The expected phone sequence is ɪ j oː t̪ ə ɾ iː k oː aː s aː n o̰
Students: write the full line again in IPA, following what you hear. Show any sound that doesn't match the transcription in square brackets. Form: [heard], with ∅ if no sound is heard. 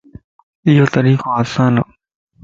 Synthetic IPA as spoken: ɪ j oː t̪ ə ɾ iː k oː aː s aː n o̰